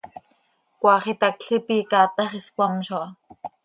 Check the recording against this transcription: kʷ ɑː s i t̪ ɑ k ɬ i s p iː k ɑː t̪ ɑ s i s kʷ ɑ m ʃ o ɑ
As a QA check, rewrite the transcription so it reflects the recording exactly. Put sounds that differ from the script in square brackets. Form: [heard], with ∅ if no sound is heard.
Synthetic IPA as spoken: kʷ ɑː [χ] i t̪ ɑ k ɬ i [∅] p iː k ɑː t̪ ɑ [χ] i s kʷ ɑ m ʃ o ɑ